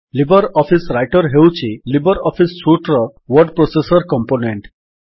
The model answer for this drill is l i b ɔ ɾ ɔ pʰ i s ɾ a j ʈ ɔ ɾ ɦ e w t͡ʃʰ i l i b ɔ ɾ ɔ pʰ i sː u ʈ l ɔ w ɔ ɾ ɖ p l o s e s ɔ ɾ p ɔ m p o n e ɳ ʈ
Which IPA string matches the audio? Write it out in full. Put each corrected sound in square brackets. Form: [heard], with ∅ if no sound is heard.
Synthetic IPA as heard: l i b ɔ ɾ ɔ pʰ i s ɾ a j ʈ ɔ ɾ ɦ e w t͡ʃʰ i l i b ɔ ɾ ɔ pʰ i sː u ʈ [ɾ] ɔ w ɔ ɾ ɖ p [ɾ] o s e s ɔ ɾ [k] ɔ m p o n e ɳ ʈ